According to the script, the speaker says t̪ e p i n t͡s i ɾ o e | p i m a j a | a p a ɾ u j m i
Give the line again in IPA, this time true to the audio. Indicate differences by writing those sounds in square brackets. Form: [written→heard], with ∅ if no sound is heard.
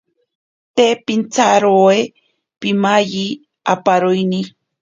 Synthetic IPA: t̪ e p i n t͡s [i→a] ɾ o e | p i m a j [a→i] | a p a ɾ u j [m→n] i